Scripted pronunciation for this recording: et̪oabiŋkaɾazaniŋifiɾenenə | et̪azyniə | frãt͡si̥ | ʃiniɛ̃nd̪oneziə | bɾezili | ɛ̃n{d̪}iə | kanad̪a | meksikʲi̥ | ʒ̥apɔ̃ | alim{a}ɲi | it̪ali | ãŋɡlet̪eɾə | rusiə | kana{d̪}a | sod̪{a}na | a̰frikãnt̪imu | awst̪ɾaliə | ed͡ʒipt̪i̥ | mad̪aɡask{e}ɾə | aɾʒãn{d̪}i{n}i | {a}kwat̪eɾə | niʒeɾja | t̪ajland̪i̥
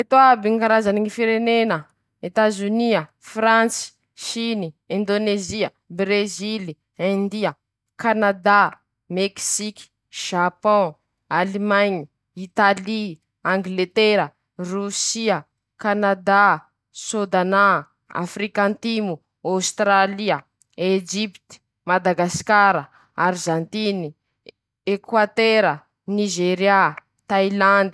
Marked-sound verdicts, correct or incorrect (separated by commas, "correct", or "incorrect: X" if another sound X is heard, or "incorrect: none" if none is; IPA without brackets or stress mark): correct, correct, correct, correct, incorrect: a, incorrect: t̪, correct, incorrect: e